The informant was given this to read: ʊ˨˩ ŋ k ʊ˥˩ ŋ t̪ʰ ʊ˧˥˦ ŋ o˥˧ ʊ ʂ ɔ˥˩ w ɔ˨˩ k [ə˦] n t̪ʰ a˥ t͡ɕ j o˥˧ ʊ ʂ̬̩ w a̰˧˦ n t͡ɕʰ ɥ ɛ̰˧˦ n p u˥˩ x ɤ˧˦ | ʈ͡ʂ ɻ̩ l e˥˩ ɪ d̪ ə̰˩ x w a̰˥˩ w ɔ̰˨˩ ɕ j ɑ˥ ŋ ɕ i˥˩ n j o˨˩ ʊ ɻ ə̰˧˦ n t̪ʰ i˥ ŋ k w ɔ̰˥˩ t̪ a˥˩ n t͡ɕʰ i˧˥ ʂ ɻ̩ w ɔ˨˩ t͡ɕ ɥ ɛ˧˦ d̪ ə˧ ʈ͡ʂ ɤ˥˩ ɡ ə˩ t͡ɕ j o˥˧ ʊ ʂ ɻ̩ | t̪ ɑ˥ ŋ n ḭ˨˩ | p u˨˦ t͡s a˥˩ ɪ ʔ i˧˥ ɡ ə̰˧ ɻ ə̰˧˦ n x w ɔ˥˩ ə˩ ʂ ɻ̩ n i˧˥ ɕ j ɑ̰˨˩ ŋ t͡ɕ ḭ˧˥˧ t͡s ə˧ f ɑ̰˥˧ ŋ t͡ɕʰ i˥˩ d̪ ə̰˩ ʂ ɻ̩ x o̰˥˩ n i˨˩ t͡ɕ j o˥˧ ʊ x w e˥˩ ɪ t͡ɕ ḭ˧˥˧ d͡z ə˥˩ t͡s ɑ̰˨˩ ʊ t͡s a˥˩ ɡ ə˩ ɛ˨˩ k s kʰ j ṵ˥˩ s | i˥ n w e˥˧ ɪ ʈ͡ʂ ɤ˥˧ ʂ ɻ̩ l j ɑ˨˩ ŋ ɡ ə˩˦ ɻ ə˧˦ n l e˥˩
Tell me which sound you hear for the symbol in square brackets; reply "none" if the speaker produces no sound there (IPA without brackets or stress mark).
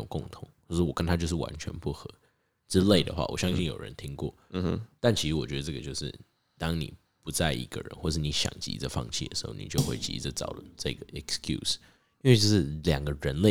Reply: ə˦